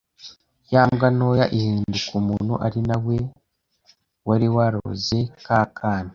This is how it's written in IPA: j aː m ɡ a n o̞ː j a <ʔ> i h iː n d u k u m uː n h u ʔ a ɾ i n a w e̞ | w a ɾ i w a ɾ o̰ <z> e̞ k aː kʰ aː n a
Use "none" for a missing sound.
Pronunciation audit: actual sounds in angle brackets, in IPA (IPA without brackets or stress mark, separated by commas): ʔ, z